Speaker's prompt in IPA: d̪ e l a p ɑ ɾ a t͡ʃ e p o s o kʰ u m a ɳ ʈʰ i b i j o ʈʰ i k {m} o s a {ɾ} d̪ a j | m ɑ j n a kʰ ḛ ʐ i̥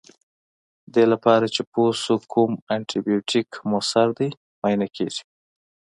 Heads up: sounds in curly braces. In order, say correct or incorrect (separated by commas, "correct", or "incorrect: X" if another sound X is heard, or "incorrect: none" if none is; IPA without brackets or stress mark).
correct, correct